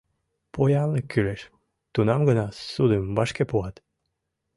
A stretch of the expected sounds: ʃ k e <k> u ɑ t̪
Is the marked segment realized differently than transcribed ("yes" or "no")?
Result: yes